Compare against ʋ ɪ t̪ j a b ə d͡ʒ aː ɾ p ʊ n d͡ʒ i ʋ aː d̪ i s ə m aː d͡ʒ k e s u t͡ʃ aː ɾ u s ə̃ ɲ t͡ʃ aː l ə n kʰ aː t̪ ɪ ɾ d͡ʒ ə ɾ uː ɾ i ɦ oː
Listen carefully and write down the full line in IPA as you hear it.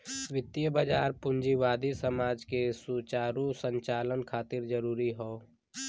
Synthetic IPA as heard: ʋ ɪ t̪ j ə b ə d͡ʒ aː ɾ p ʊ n d͡ʒ i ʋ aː d̪ i s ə m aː d͡ʒ k e s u t͡ʃ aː ɾ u s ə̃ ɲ t͡ʃ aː l ə n kʰ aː t̪ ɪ ɾ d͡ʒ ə ɾ uː ɾ i ɦ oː